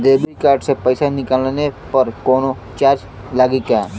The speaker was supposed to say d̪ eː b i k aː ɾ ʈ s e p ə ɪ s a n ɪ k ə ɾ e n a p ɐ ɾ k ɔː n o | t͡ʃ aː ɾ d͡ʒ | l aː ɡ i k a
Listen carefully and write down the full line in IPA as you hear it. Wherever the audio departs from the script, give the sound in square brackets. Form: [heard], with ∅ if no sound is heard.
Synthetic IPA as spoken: d̪ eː b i k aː ɾ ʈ s e p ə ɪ s a n ɪ k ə [l] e n [e] p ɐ ɾ k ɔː n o | t͡ʃ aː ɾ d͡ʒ | l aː ɡ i k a

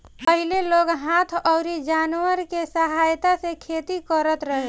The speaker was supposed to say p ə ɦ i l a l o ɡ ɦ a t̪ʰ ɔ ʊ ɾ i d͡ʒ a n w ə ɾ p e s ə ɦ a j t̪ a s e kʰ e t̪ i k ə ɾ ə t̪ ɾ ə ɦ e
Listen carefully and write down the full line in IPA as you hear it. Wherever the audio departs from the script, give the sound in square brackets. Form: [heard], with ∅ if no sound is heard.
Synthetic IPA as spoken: p ə ɦ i l [e] l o ɡ ɦ a t̪ʰ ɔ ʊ ɾ i d͡ʒ a n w ə ɾ [k] e s ə ɦ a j t̪ a s e kʰ e t̪ i k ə ɾ ə t̪ ɾ ə ɦ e

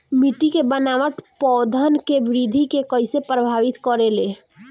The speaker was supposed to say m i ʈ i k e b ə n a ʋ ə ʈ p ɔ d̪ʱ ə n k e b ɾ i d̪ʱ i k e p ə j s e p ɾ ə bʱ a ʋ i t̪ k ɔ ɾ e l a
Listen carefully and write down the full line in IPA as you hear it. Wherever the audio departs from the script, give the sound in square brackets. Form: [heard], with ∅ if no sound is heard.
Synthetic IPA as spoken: m i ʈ i k e b ə n a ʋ ə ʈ p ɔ d̪ʱ ə n k e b ɾ i d̪ʱ i k e [k] ə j s e p ɾ ə bʱ a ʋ i t̪ k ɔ ɾ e l [e]

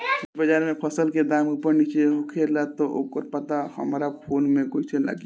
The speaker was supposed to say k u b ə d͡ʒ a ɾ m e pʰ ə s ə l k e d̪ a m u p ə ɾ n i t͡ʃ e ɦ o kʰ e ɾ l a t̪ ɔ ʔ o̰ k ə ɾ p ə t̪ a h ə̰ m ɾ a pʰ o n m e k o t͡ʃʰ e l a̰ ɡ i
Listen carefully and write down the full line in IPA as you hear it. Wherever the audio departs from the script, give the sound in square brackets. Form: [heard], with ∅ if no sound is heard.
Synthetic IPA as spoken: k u b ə d͡ʒ a ɾ m e pʰ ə s ə l k e d̪ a m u p ə ɾ n i t͡ʃ e ɦ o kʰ e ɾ l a t̪ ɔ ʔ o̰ k ə ɾ p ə t̪ a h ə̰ m ɾ a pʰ o n m e k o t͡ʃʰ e l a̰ ɡ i

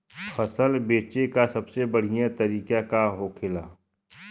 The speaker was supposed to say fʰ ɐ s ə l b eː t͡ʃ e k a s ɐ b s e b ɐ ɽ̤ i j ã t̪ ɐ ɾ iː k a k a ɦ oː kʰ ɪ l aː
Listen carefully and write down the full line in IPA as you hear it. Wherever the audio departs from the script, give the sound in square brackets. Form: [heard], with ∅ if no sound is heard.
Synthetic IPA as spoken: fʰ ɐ s ə l b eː t͡ʃ e k a s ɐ b s e b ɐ ɽ̤ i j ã t̪ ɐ ɾ iː k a k a ɦ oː kʰ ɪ l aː

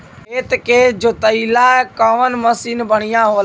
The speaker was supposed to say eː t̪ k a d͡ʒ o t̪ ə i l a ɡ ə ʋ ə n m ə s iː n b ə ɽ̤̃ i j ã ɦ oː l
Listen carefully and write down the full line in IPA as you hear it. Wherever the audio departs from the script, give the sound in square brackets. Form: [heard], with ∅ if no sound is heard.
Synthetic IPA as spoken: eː t̪ k [e] d͡ʒ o t̪ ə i l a [k] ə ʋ ə n m ə s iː n b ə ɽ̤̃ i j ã ɦ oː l

